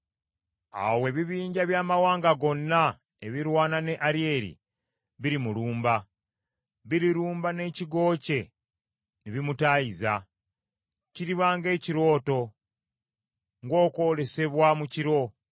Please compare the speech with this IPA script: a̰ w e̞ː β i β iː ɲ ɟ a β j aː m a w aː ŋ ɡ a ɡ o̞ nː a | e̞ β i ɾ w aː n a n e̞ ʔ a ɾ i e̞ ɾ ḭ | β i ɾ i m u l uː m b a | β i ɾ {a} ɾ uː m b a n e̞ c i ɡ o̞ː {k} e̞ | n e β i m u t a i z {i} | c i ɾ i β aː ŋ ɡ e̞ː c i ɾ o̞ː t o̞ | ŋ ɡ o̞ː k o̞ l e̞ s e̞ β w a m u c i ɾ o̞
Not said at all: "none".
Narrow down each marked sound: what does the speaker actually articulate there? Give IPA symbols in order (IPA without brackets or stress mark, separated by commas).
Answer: i, c, a